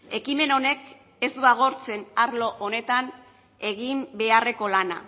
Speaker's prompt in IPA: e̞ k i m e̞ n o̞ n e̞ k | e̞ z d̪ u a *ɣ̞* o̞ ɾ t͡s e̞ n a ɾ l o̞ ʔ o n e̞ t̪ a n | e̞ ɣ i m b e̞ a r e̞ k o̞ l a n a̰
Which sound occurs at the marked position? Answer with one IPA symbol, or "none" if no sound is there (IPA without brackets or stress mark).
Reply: ɣ̞